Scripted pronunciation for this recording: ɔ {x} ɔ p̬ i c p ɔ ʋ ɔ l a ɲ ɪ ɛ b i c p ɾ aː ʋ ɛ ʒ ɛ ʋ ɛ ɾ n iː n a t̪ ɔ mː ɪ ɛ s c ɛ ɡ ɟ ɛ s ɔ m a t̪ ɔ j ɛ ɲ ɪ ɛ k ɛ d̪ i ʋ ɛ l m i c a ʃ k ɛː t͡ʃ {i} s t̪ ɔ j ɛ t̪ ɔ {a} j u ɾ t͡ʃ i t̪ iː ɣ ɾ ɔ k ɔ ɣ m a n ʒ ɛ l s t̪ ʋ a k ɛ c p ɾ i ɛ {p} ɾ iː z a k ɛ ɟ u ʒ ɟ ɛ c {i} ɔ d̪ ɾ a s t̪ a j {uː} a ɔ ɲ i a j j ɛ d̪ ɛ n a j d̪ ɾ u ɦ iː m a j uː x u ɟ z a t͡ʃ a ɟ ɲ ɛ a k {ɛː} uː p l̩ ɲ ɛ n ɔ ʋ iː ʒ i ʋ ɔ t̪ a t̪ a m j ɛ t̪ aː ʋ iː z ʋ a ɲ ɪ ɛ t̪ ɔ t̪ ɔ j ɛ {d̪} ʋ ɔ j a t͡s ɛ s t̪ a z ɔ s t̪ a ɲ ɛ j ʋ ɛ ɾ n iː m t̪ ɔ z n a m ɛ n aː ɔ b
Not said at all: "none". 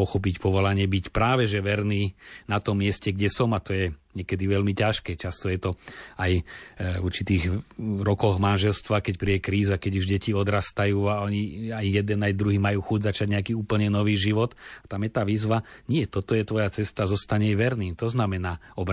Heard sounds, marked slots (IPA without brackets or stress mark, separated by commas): x, a, a, k, i, uː, iː, t̪